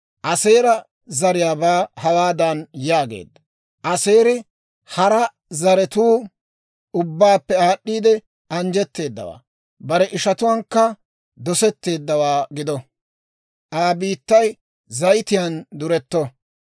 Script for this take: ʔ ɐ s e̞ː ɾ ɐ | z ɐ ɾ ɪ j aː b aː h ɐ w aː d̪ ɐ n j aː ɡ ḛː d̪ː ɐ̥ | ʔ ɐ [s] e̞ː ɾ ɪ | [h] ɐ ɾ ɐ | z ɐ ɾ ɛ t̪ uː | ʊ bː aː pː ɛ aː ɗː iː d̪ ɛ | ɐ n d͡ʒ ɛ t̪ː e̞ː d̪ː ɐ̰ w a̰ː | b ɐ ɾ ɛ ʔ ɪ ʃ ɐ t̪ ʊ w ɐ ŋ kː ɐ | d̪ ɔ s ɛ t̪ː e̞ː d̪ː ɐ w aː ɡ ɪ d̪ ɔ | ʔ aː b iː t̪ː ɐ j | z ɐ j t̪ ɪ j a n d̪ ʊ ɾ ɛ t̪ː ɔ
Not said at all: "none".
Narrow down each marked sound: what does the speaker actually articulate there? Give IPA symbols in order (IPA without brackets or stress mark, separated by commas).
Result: s, h